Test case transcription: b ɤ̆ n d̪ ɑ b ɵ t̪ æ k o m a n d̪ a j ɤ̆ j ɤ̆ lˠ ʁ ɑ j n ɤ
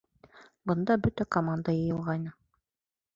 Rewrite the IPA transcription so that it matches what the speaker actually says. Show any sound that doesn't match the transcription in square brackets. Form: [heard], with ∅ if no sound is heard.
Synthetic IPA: b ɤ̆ n d̪ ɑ b ɵ t̪ æ k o m a n d̪ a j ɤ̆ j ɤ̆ lˠ ʁ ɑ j n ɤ